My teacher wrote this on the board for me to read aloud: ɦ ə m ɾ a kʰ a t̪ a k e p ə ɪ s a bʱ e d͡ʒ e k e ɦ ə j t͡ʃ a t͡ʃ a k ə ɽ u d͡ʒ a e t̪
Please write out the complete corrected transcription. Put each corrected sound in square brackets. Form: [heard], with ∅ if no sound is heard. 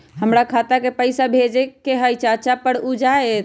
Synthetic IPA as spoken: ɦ ə m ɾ a kʰ a t̪ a k e p ə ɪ s a bʱ e d͡ʒ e k e ɦ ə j t͡ʃ a t͡ʃ a [p] ə ɽ u d͡ʒ a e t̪